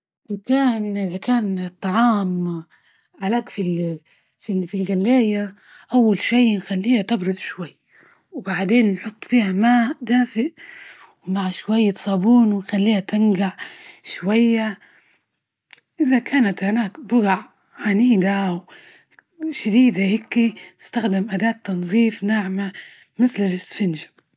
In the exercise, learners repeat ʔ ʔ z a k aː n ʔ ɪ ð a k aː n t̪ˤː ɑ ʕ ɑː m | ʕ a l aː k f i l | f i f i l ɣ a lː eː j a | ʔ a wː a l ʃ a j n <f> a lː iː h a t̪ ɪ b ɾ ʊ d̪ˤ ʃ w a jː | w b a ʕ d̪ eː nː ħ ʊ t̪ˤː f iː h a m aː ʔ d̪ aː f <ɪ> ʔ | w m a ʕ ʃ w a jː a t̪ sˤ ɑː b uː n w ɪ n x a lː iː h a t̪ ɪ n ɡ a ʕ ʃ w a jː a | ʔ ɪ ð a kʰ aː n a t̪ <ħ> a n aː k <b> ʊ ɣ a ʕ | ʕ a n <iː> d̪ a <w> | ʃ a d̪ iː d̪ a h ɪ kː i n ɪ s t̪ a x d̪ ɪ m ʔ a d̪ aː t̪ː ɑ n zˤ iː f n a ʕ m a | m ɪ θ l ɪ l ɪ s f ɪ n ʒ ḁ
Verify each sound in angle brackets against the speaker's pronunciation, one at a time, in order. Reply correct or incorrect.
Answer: incorrect: x, correct, incorrect: h, correct, correct, correct

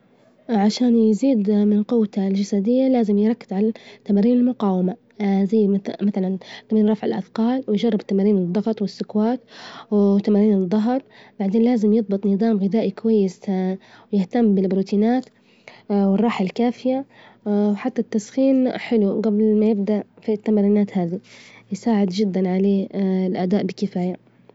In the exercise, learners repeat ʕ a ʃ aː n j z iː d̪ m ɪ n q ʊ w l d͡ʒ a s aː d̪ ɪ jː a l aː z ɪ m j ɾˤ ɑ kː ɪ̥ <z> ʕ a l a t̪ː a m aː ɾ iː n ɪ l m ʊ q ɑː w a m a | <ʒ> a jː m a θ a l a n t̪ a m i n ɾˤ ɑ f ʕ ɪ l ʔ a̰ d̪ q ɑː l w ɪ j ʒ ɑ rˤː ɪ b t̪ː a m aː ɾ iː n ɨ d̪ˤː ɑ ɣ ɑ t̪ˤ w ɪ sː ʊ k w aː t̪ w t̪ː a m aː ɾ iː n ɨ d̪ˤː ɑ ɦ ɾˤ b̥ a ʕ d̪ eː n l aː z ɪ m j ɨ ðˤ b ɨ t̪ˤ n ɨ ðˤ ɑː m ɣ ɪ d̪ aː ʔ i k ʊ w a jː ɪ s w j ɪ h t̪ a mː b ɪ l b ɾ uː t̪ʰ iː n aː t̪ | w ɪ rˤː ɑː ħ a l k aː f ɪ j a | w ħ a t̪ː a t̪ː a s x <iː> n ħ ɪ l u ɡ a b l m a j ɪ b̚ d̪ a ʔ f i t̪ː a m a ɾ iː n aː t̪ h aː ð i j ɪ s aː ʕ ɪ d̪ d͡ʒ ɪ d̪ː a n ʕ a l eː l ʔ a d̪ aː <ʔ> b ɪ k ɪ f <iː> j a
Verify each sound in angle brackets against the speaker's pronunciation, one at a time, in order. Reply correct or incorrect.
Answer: correct, incorrect: z, correct, correct, incorrect: aː

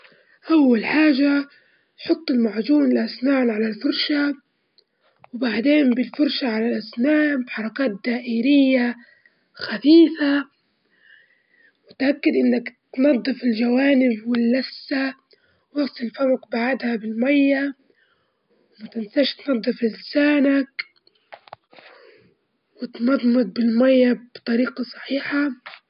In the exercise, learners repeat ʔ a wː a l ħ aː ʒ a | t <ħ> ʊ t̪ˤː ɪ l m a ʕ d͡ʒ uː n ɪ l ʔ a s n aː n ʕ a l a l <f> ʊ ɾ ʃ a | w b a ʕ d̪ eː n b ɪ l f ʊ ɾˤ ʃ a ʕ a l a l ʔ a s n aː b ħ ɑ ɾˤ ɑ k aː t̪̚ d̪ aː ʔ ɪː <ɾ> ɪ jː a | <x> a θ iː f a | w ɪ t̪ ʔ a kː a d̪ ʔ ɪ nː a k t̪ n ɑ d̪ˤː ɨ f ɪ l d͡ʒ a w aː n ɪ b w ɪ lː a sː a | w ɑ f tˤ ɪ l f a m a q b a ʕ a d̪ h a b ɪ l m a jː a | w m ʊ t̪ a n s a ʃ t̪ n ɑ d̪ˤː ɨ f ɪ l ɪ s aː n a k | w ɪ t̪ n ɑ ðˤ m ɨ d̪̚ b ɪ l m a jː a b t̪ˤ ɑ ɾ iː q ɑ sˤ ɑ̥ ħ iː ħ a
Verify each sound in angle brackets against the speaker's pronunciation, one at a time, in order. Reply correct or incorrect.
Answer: correct, correct, correct, correct

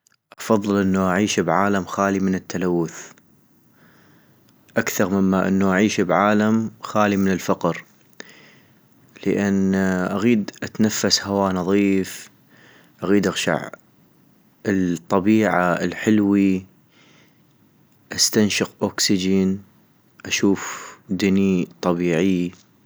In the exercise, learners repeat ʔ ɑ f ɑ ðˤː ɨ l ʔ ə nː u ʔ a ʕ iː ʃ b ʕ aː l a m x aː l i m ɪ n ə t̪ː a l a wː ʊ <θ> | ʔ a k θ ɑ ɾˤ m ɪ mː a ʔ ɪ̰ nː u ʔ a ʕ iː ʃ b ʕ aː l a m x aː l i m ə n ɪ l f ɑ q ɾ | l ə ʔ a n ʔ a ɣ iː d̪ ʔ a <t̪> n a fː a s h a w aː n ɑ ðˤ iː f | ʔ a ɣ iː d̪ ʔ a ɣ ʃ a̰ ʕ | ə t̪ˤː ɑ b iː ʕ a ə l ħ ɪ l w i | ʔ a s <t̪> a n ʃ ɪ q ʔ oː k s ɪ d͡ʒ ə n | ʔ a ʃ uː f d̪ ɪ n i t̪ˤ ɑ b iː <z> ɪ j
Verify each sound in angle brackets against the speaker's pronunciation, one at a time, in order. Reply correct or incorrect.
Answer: correct, correct, correct, incorrect: ʕ

